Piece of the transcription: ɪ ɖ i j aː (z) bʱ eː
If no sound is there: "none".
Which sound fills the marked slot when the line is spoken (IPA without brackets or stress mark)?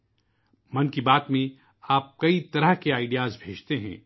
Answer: z